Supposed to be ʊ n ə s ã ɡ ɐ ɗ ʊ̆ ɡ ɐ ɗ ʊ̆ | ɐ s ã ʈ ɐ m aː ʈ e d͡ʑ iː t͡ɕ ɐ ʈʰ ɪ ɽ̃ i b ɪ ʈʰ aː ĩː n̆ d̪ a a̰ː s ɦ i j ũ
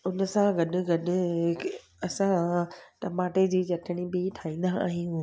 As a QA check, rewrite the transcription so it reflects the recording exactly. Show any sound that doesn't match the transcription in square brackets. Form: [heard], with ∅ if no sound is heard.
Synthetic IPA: ʊ n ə s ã ɡ ɐ ɗ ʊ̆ ɡ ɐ ɗ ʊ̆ | ɐ s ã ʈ ɐ m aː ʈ e d͡ʑ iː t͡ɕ ɐ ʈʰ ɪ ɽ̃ i b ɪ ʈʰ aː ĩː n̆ d̪ a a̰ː [∅] ɦ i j ũ